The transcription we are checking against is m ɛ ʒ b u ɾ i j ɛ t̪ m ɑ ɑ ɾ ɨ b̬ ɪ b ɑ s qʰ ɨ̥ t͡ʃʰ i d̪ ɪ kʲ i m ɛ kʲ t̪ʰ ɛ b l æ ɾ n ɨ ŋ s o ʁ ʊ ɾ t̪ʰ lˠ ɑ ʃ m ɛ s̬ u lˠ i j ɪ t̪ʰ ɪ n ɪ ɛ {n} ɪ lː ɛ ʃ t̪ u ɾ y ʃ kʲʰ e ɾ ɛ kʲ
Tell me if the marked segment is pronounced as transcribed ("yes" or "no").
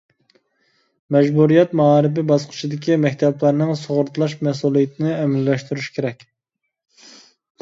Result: no